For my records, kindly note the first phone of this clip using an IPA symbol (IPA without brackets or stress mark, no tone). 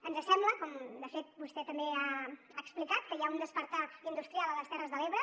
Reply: ə